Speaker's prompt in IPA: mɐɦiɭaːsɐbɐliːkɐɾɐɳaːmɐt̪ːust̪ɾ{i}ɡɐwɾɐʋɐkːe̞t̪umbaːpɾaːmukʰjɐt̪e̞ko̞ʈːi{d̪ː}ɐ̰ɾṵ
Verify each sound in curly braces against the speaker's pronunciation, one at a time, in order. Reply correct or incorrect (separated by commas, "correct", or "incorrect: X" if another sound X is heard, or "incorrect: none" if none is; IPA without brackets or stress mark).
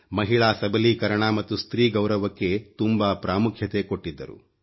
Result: incorrect: iː, correct